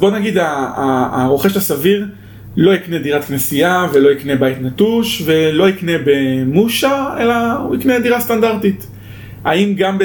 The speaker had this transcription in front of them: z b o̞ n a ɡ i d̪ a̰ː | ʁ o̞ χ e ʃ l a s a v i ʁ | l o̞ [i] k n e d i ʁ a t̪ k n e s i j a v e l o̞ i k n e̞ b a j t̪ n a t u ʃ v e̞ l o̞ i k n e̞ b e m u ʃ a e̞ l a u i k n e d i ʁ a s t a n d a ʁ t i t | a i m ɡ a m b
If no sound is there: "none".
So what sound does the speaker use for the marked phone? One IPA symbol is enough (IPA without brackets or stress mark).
i